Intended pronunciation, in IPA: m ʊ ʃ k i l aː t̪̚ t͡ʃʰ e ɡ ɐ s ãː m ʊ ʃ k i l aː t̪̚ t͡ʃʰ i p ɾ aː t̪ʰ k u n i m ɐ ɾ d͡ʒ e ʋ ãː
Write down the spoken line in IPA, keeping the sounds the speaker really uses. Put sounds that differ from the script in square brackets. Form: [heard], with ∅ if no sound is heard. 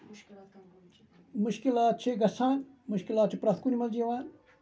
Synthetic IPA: m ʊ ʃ k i l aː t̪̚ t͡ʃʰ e ɡ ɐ s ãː m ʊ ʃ k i l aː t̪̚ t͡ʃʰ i p ɾ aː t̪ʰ k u n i m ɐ [l] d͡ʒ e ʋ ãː